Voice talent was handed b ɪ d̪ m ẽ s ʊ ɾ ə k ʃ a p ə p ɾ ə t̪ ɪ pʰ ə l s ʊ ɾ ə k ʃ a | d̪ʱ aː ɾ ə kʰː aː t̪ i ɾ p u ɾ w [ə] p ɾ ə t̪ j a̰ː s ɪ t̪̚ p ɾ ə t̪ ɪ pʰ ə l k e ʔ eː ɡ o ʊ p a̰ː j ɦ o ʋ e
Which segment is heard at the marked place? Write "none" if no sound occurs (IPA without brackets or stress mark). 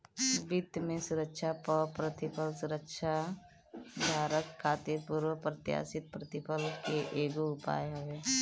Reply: ə